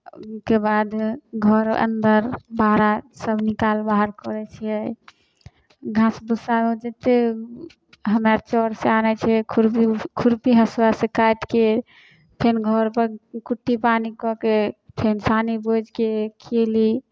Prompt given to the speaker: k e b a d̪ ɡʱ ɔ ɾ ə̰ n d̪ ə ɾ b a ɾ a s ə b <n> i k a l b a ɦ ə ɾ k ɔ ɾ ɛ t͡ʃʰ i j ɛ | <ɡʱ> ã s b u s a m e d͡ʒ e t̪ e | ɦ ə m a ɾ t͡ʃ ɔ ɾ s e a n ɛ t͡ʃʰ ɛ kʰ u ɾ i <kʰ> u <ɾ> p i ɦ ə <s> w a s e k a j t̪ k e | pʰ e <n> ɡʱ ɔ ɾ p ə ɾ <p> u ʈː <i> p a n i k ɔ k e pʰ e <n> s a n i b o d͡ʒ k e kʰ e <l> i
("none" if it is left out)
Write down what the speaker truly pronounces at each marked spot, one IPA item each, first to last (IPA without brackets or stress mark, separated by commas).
n, ɡʱ, kʰ, ɾ, s, n, k, i, n, l